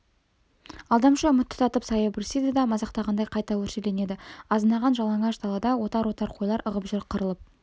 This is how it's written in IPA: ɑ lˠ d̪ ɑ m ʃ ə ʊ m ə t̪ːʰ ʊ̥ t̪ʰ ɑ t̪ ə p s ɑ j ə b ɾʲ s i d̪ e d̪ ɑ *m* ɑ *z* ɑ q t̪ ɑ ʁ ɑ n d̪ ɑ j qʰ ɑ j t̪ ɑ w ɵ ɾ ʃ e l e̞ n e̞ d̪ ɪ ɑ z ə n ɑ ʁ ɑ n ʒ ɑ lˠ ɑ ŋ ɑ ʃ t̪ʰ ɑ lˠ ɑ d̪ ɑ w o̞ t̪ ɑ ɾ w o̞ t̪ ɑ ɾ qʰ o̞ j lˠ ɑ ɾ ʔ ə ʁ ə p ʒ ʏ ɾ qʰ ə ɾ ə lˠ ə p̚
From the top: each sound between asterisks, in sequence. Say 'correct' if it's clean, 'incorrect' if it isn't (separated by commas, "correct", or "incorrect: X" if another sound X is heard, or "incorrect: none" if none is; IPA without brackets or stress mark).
correct, correct